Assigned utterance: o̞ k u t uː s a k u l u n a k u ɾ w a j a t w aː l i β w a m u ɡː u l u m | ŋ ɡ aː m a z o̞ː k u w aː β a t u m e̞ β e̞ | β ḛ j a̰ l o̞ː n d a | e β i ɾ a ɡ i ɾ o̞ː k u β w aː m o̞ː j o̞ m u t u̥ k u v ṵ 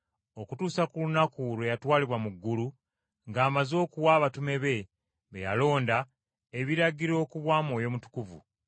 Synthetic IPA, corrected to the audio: o̞ k u t uː s a k u l u n a k u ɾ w e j a t w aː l i β w a m u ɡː u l u | ŋ ɡ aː m a z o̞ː k u w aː β a t u m e̞ β e̞ | β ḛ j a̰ l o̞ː n d a | e β i ɾ a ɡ i ɾ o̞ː k u β w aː m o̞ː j o̞ m u t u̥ k u v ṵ